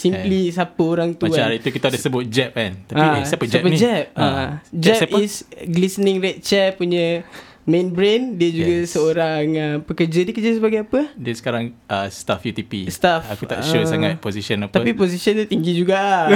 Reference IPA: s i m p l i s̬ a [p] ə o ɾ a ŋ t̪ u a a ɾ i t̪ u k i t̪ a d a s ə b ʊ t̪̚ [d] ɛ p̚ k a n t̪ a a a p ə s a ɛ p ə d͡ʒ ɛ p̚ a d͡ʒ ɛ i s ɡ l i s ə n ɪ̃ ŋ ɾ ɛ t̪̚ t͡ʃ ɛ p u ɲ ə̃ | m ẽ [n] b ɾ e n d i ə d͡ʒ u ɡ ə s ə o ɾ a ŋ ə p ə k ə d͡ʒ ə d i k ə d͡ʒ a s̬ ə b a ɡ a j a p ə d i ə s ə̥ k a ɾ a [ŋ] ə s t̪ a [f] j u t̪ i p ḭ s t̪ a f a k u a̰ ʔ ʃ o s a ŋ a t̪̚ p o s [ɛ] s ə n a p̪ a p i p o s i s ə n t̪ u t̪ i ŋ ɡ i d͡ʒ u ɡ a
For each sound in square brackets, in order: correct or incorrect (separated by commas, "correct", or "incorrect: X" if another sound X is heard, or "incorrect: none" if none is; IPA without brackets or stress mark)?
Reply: correct, incorrect: d͡ʒ, correct, correct, correct, incorrect: i